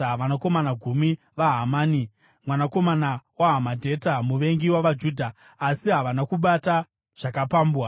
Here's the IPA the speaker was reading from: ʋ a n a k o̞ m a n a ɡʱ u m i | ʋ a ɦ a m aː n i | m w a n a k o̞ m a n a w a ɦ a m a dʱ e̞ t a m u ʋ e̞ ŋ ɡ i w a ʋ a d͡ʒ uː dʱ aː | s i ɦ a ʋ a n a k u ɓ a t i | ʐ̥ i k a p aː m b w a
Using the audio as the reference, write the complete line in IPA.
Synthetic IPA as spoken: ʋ a n a k o̞ m a n a ɡʱ u m i | ʋ a ɦ a m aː n i | m w a n a k o̞ m a n a w a ɦ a m a dʱ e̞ t a m u ʋ e̞ ŋ ɡ i w a ʋ a d͡ʒ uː dʱ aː | s i ɦ a ʋ a n a k u ɓ a t a | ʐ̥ a k a p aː m b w a